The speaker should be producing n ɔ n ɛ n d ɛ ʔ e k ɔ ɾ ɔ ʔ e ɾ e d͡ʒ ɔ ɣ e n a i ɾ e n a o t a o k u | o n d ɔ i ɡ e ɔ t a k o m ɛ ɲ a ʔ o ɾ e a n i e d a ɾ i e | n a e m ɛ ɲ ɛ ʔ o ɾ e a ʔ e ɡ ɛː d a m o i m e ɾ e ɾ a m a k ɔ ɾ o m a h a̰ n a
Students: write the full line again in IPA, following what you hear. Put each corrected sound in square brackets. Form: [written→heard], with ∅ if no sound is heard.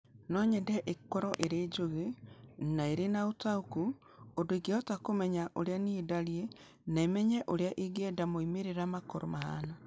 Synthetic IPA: n ɔ [n→ɲ] ɛ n d ɛ ʔ e k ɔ ɾ ɔ ʔ e ɾ e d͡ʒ [ɔ→o] ɣ e n a [i→e] ɾ e n a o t a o k u | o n d [ɔ→o] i ɡ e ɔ t a k o m ɛ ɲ a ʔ o ɾ e a n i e d a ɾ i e | n a e m ɛ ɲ ɛ ʔ o ɾ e a ʔ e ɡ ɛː d a m o i m e ɾ e ɾ a m a k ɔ ɾ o m a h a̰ n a